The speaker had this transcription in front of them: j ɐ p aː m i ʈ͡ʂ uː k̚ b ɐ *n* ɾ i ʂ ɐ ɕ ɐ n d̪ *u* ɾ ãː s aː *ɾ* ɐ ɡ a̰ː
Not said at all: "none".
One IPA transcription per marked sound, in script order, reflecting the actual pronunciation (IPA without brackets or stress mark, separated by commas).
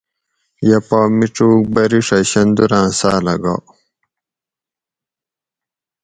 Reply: none, u, l